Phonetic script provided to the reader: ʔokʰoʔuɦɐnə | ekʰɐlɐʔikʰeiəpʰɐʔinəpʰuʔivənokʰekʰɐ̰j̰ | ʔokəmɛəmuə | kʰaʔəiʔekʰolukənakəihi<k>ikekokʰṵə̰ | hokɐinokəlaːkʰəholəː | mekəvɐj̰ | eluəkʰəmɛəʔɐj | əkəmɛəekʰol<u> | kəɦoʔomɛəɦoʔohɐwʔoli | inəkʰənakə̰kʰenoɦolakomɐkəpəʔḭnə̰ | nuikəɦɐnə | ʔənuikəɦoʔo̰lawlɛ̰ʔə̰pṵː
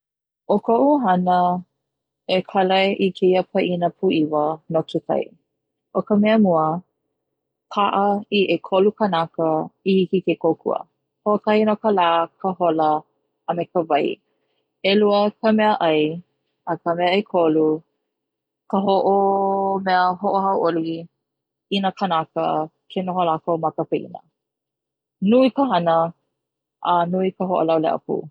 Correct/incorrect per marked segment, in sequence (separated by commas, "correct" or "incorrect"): correct, correct